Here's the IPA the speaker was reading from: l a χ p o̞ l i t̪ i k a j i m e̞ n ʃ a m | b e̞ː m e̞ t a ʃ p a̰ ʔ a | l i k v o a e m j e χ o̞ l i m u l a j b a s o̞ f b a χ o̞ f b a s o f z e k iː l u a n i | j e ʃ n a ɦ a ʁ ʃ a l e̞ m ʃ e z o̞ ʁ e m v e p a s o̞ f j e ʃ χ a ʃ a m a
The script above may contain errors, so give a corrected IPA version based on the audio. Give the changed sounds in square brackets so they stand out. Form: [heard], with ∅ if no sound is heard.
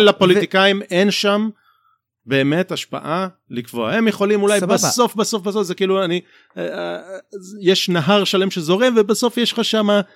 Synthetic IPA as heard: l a [∅] p o̞ l i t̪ i k a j i m e̞ n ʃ a m | b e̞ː m e̞ t a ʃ p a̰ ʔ a | l i k v o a e m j e χ o̞ l i m u l a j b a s o̞ f b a [s] o̞ f b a s o f z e k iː l u a n i | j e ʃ n a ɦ a ʁ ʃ a l e̞ m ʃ e z o̞ ʁ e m v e [b] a s o̞ f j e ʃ χ a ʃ a m a